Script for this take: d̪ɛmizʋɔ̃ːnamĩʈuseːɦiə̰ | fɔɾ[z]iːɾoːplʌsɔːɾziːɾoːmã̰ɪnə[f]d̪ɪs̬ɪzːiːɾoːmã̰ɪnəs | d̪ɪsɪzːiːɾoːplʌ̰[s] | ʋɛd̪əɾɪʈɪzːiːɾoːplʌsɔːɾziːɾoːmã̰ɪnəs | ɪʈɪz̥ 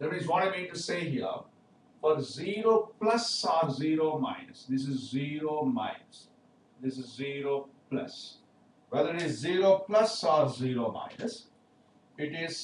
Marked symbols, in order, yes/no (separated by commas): yes, no, yes